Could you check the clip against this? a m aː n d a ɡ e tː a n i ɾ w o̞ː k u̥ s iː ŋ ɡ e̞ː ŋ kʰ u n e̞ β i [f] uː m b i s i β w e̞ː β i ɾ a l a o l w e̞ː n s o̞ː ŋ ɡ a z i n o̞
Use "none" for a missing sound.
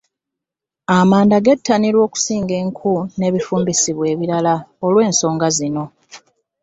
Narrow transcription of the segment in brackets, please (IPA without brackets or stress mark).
f